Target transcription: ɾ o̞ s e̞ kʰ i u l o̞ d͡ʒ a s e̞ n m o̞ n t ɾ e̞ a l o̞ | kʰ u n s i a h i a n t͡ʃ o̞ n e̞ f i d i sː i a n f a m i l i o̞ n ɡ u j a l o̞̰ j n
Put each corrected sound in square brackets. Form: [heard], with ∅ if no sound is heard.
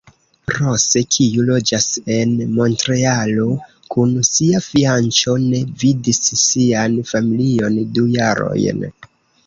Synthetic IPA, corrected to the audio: ɾ o̞ s e̞ kʰ i u l o̞ d͡ʒ a s e̞ n m o̞ n t ɾ e̞ a l o̞ | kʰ u n s i a [f] i a n t͡ʃ o̞ n e̞ [v] i d i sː i a n f a m i l i o̞ n [d] u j a [ɾ] o̞̰ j n

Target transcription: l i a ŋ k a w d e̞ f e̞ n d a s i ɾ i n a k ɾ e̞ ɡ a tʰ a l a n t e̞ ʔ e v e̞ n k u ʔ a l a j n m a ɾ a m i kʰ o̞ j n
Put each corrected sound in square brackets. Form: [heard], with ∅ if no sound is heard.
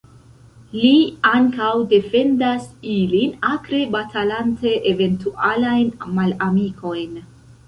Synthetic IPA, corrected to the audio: l i a ŋ k a w d e̞ f e̞ n d a s i [l] i n a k ɾ e̞ [b] a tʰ a l a n t e̞ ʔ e v e̞ n [t] u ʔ a l a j n m a [l] a m i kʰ o̞ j n

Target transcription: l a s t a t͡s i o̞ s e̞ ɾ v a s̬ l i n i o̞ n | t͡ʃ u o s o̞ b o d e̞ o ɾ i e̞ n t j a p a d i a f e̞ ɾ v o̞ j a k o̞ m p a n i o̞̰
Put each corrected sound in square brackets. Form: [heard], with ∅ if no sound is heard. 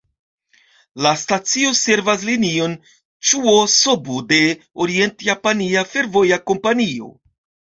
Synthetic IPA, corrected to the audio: l a s t a t͡s i o̞ s e̞ ɾ v a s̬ l i n i o̞ n | t͡ʃ u o s o̞ b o d e̞ o ɾ i e̞ n t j a p a [n] i a f e̞ ɾ v o̞ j a k o̞ m p a n i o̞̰

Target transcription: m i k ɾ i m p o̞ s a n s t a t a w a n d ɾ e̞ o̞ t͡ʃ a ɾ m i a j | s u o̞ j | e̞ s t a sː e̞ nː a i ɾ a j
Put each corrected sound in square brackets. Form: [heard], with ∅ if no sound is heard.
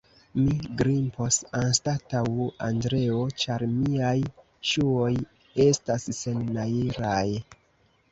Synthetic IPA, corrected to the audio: m i [ɡ] ɾ i m p o̞ s a n s t a t a w a n d ɾ e̞ o̞ t͡ʃ a ɾ m i a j | [ʃ] u o̞ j | e̞ s t a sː e̞ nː a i ɾ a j

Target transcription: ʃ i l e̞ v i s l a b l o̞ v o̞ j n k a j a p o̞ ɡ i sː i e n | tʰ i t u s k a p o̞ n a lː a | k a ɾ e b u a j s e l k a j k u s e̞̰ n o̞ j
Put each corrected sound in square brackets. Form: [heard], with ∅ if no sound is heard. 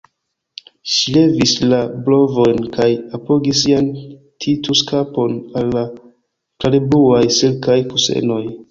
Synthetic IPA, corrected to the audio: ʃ i l e̞ v i s l a b l o̞ v o̞ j n k a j a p o̞ ɡ i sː i [a] n | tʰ i t u s k a p o̞ n a lː a | k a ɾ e b u a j s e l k a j k u s e̞̰ n o̞ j

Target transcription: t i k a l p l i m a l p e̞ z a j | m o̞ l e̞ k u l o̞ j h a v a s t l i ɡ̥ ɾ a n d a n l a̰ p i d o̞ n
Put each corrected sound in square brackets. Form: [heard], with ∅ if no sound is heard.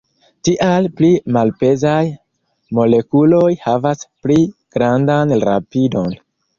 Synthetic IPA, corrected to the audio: t i [ʔ] a l p l i m a l p e̞ z a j | m o̞ l e̞ k u l o̞ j h a v a s [p] l i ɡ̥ ɾ a n d a n [ɾ] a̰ p i d o̞ n

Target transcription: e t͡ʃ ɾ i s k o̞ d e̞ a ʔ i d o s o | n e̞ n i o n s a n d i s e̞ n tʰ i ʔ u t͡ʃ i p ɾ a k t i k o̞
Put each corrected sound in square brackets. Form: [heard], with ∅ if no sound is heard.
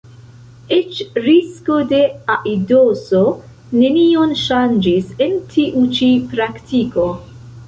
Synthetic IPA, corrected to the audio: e t͡ʃ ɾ i s k o̞ d e̞ a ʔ i d o s o | n e̞ n i o n [ʃ] a n [d͡ʒ] i s e̞ n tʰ i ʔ u t͡ʃ i p ɾ a k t i k o̞

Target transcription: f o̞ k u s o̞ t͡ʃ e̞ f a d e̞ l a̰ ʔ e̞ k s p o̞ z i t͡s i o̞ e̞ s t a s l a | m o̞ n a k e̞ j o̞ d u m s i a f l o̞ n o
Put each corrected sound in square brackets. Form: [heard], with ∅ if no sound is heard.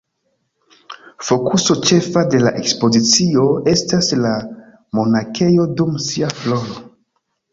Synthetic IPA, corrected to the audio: f o̞ k u s o̞ t͡ʃ e̞ f a d e̞ l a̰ ʔ e̞ k s p o̞ z i t͡s i o̞ e̞ s t a s l a | m o̞ n a k e̞ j o̞ d u m s i a f l o̞ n o

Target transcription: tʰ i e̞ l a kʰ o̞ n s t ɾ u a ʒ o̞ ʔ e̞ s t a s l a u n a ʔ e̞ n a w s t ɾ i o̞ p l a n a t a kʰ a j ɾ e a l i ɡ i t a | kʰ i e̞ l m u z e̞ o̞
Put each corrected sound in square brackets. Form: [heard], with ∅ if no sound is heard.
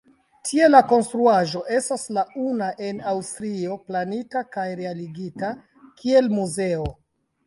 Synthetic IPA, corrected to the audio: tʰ i e̞ l a [k] o̞ n s t ɾ u a ʒ o̞ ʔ e̞ s t a s l a u n a ʔ e̞ n a w s t ɾ i o̞ p l a n [i] t a [k] a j ɾ e a l i ɡ i t a | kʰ i e̞ l m u z e̞ o̞

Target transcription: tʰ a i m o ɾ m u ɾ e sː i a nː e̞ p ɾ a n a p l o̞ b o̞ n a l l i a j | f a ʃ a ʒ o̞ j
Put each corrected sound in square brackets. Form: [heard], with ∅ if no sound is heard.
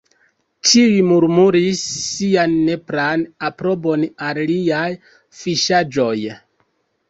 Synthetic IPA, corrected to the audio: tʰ [i] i m [u] ɾ m u ɾ [i] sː i a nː e̞ p ɾ a n a p [ɾ] o̞ b o̞ n a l l i a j | f [i] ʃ a [d͡ʒ] o̞ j

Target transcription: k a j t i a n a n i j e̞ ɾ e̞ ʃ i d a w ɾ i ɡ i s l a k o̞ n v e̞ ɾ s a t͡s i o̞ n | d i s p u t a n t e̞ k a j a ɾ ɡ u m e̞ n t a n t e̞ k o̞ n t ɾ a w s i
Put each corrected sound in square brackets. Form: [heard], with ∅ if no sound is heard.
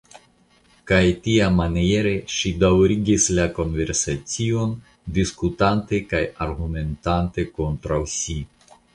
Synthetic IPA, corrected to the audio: k a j t i a [m] a n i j e̞ ɾ e̞ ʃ i d a w ɾ i ɡ i s l a k o̞ n v e̞ ɾ s a t͡s i o̞ n | d i s [k] u t a n t e̞ k a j a ɾ ɡ u m e̞ n t a n t e̞ k o̞ n t ɾ a w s i

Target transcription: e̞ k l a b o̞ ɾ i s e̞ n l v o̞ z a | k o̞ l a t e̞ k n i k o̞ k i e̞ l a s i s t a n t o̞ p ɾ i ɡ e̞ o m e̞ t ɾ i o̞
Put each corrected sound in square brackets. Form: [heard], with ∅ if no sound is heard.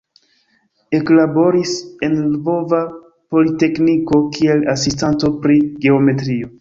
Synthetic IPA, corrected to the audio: e̞ k l a b o̞ ɾ i s e̞ n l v o̞ [v] a | [p] o̞ l [i] t e̞ k n i k o̞ k i e̞ l a s i s t a n t o̞ p ɾ i ɡ e̞ o m e̞ t ɾ i o̞

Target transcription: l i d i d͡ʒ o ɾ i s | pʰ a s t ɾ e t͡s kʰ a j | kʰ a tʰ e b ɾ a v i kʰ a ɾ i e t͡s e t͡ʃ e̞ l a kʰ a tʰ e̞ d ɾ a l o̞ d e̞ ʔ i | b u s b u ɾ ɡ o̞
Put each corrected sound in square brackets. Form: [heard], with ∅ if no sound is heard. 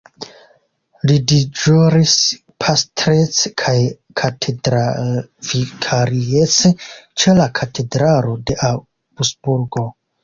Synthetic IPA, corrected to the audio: l i d i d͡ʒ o ɾ i s | pʰ a s t ɾ e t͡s kʰ a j | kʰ a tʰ e [d] ɾ a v i kʰ a ɾ i e t͡s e t͡ʃ e̞ l a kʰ a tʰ e̞ d ɾ a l o̞ d e̞ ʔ [a] | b u s b u ɾ ɡ o̞

